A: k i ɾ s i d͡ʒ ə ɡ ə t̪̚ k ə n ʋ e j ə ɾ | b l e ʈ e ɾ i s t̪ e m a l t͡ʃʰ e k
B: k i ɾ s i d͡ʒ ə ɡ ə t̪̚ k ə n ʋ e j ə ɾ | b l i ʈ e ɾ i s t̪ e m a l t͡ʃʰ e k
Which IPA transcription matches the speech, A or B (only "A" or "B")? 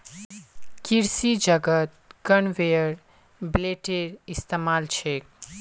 A